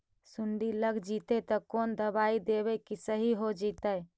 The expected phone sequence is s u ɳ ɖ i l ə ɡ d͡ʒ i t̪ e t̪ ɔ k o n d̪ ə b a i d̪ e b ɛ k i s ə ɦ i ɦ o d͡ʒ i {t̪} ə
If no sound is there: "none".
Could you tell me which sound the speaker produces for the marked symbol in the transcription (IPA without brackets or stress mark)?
t̪